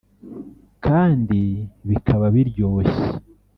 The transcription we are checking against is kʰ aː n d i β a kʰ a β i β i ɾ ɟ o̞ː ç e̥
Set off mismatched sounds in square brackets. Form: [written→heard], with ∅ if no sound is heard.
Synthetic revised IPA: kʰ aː n d i β [a→i] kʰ a β [i→a] β i ɾ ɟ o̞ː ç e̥